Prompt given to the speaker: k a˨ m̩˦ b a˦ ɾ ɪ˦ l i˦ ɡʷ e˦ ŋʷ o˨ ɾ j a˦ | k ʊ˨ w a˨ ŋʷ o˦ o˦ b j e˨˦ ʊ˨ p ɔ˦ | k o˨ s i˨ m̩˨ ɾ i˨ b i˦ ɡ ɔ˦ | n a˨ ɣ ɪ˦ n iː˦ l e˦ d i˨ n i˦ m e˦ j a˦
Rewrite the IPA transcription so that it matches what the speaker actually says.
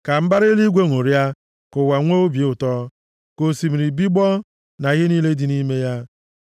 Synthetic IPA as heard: k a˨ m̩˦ b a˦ ɾ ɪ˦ l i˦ ɡʷ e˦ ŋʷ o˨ ɾ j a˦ | k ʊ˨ w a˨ ŋʷ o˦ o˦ b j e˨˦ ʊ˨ t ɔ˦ | k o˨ s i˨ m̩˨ ɾ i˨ b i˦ ɡ͡b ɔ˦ | n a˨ ɣ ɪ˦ n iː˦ l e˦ d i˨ n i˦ m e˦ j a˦

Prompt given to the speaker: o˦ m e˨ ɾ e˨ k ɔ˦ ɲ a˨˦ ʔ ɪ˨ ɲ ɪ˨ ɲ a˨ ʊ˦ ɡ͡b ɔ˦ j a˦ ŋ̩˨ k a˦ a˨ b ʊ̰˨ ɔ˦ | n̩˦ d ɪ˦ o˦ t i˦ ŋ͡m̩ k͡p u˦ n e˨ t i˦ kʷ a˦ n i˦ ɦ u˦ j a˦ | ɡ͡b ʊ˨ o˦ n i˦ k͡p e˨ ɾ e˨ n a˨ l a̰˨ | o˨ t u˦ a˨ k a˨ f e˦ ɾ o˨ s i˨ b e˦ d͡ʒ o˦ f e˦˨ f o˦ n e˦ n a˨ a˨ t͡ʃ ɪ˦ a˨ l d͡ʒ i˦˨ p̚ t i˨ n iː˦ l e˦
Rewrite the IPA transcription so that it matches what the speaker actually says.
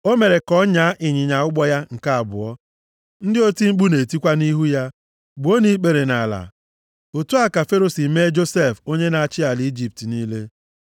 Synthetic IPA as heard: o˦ m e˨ ɾ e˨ k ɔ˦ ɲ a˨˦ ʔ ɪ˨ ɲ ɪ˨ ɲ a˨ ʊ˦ ɡ͡b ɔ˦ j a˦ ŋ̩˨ k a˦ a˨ b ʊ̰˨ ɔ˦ | n̩˦ d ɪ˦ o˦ t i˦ ŋ͡m̩ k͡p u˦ n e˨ t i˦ kʷ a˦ n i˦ ɦ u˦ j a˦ | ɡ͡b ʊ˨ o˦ n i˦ k͡p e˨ ɾ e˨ n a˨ l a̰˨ | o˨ t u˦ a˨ k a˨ f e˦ ɾ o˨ s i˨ m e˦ d͡ʒ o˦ s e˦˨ f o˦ ɲ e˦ n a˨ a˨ t͡ʃ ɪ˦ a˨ l d͡ʒ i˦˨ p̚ t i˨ n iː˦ l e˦

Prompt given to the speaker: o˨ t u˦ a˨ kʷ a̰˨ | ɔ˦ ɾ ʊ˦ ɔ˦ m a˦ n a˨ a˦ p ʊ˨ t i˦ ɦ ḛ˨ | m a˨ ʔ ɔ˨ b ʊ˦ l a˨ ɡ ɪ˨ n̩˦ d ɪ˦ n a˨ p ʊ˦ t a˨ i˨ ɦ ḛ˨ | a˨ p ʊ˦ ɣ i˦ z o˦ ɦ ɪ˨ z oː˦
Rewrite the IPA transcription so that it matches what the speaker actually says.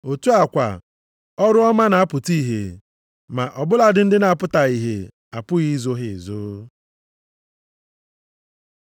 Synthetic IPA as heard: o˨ t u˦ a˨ kʷ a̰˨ | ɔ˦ ɾ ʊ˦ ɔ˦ m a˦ n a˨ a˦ p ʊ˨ t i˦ ɦ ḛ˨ | m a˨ ʔ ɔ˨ b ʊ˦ l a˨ d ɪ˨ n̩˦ d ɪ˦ n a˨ p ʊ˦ t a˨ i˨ ɦ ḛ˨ | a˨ p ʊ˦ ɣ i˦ z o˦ ɦ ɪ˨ z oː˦

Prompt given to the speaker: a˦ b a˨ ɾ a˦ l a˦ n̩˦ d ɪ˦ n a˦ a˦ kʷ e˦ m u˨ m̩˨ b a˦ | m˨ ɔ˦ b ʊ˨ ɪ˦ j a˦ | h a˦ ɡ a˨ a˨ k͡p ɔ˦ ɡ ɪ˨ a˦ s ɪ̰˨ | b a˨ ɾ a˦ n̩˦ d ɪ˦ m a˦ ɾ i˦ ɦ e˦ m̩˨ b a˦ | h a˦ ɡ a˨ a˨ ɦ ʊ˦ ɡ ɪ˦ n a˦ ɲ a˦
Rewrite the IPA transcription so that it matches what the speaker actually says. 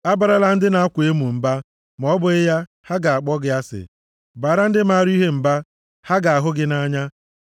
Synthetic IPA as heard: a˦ b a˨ ɾ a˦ l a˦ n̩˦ d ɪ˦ n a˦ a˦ kʷ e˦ m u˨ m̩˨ b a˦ | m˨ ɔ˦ b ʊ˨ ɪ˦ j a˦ | h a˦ ɡ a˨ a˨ k͡p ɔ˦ ɡ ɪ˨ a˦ s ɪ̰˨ | b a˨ ɾ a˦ n̩˦ d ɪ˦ m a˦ ɾ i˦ ɦ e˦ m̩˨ b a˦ | h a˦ ɡ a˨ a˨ ɦ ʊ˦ ɡ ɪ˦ n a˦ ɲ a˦

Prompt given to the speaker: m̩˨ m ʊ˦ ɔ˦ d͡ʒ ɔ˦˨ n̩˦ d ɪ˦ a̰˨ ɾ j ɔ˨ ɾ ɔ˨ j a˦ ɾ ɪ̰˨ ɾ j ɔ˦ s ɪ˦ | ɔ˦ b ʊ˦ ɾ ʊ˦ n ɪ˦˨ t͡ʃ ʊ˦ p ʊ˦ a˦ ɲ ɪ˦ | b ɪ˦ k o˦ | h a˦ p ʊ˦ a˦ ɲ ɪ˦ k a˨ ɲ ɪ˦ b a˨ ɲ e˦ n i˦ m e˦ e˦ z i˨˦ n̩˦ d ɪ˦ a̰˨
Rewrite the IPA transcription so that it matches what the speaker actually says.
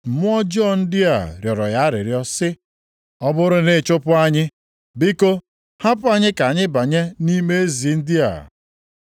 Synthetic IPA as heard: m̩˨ m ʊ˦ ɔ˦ d͡ʒ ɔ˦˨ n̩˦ d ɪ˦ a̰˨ ɾ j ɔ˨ ɾ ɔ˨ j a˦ ɾ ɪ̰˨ ɾ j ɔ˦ s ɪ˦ | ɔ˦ b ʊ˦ ɾ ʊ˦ n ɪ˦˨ t͡ʃ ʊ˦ p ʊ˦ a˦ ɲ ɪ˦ | b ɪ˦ k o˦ | h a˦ p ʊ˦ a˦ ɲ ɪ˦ k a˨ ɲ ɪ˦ b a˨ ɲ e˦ n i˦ m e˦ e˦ z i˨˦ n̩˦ d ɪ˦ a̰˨

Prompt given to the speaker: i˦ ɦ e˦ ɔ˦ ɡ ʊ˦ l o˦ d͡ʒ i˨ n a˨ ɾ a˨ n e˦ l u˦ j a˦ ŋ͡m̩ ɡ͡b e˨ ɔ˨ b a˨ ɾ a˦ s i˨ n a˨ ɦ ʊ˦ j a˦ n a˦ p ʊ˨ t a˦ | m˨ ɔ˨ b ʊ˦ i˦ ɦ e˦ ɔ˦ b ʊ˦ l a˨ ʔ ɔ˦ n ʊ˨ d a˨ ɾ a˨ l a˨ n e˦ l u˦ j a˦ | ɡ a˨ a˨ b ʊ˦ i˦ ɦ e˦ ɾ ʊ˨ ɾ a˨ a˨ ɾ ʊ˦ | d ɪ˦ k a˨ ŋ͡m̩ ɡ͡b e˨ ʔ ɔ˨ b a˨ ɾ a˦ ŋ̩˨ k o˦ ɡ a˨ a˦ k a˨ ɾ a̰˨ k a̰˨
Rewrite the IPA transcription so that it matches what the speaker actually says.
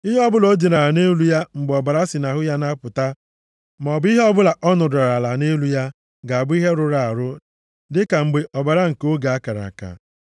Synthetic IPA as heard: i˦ ɦ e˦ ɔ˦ b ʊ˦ l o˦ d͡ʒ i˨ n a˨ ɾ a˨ n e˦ l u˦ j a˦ ŋ͡m̩ ɡ͡b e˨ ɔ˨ b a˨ ɾ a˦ s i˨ n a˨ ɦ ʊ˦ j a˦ n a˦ p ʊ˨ t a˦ | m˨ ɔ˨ b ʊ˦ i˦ ɦ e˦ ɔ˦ b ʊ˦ l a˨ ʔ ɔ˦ n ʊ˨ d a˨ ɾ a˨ l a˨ n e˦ l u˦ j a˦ | ɡ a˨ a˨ b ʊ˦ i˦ ɦ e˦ ɾ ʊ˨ ɾ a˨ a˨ ɾ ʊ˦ | d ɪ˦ k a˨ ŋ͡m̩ ɡ͡b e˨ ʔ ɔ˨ b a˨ ɾ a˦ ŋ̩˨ k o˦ ɡ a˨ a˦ k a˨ ɾ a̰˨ k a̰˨

